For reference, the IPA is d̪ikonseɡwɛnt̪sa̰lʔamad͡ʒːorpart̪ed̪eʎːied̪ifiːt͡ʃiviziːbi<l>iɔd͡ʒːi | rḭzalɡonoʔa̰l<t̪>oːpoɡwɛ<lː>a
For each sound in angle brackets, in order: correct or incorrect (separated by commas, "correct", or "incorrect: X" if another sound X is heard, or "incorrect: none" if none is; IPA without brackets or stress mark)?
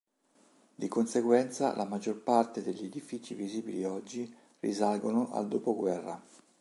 correct, incorrect: d̪, incorrect: rː